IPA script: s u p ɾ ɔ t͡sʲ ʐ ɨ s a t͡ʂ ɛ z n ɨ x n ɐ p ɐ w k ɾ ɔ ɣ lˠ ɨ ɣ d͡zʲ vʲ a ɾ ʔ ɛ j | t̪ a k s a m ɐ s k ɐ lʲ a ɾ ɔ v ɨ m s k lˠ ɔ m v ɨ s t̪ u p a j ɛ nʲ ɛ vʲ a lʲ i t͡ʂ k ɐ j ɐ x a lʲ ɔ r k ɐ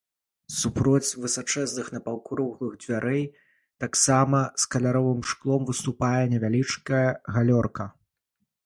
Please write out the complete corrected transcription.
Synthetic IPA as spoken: s u p ɾ ɔ t͡sʲ v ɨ s a t͡ʂ ɛ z n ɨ x n ɐ p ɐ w k ɾ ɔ ɣ lˠ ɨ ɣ d͡zʲ vʲ a ɾ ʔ ɛ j | t̪ a k s a m ɐ s k ɐ lʲ a ɾ ɔ v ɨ m ʂ k lˠ ɔ m v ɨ s t̪ u p a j ɛ nʲ ɛ vʲ a lʲ i t͡ʂ k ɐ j ɐ ɣ a lʲ ɔ r k ɐ